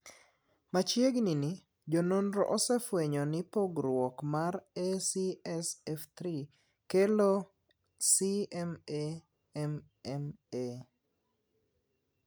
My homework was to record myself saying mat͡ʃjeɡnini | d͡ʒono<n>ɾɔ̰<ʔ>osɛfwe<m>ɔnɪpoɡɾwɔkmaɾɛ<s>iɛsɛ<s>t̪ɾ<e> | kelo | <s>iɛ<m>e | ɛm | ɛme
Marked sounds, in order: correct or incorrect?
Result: correct, correct, incorrect: ɲ, correct, incorrect: f, incorrect: i, correct, correct

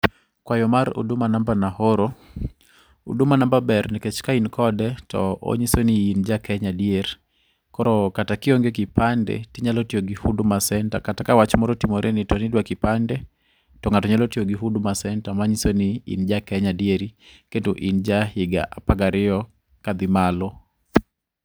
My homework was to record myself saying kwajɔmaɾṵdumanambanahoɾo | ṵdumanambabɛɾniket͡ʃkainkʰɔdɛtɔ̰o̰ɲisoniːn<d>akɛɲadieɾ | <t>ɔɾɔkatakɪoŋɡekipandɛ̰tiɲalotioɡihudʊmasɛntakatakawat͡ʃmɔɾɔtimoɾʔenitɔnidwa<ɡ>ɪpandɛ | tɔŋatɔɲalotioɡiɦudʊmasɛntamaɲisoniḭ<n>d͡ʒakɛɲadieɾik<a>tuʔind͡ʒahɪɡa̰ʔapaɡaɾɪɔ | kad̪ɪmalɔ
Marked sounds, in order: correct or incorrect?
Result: incorrect: d͡ʒ, incorrect: k, incorrect: k, correct, incorrect: e

